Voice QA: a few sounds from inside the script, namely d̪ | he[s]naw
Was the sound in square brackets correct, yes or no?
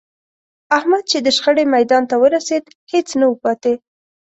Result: no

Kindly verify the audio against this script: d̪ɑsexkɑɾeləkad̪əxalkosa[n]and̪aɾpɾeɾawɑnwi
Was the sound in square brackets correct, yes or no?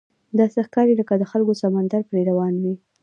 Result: no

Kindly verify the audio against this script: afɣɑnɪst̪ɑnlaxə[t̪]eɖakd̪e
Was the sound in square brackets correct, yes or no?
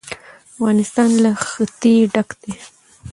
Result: yes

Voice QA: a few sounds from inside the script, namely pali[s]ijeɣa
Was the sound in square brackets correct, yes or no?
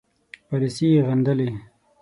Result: yes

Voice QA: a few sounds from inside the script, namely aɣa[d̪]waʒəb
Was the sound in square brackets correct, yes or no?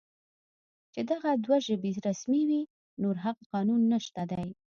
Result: yes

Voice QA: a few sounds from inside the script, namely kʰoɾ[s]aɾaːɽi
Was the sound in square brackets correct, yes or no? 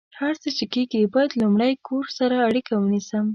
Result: yes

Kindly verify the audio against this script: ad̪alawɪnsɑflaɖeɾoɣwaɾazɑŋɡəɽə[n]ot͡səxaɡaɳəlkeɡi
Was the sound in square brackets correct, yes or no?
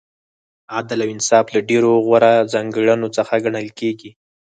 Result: yes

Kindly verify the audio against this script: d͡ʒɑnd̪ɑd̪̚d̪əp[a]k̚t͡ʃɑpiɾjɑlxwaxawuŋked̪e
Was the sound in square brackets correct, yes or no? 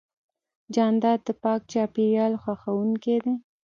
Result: no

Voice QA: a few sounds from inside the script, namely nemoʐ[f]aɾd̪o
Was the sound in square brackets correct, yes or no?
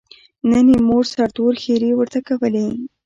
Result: no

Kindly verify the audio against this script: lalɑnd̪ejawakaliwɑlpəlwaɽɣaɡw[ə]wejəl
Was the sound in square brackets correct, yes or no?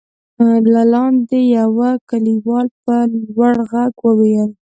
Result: yes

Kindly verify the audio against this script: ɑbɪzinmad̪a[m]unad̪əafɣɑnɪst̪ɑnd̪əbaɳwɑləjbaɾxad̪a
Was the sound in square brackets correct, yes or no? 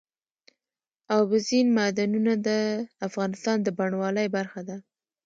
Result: no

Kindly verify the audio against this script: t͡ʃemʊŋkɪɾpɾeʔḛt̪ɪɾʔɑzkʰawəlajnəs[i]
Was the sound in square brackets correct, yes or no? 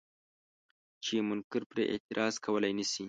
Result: yes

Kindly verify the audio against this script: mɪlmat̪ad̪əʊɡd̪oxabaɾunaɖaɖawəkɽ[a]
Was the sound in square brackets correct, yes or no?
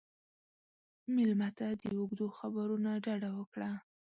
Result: yes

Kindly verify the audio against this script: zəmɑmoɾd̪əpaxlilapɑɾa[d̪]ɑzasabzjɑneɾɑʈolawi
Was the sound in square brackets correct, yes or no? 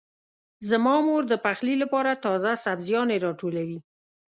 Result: no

